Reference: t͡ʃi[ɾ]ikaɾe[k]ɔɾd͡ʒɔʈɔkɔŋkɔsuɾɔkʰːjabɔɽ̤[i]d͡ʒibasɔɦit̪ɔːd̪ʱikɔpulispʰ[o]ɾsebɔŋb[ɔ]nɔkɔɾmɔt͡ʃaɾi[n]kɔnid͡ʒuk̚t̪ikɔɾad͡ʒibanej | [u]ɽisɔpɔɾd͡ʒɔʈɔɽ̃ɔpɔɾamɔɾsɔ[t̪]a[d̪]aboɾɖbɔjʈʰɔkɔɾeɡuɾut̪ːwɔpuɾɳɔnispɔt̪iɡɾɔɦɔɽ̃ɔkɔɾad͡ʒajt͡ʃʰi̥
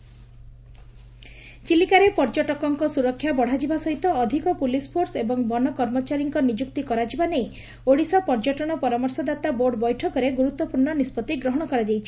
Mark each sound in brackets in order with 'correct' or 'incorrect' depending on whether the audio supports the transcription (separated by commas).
incorrect, incorrect, incorrect, correct, correct, incorrect, incorrect, incorrect, incorrect